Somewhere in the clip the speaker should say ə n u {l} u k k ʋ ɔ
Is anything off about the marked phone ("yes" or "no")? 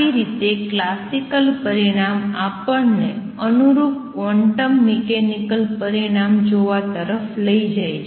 yes